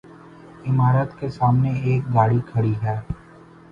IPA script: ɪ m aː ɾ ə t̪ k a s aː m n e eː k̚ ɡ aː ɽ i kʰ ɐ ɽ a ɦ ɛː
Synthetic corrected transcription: ɪ m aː ɾ ə t̪ k e s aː m n e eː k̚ ɡ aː ɽ i kʰ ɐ ɽ i ɦ ɛː